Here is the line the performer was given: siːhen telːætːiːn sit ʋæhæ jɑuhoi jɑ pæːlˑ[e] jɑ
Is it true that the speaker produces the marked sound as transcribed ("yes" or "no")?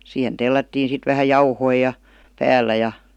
no